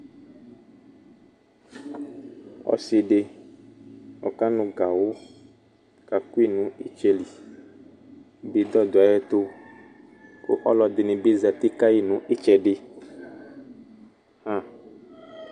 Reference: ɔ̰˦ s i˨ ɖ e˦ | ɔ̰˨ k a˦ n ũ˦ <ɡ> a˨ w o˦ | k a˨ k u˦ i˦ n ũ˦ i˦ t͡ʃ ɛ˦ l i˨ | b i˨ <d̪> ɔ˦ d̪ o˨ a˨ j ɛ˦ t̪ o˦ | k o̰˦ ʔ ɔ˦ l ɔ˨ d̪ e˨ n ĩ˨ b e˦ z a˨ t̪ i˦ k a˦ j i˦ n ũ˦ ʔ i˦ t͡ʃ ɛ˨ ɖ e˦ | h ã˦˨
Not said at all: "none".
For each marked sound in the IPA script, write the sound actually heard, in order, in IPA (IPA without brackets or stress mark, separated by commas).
ɡ, d̪